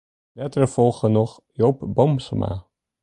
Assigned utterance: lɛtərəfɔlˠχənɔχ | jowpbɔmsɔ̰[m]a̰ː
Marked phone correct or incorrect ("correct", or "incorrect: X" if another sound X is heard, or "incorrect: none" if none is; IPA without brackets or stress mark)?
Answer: correct